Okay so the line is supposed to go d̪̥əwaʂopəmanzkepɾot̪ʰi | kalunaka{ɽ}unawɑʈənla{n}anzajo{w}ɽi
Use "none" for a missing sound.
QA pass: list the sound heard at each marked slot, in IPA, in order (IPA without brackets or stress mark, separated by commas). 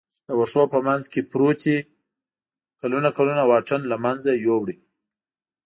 l, m, w